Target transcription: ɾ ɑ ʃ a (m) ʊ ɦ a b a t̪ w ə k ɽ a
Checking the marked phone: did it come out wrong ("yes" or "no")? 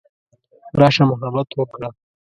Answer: no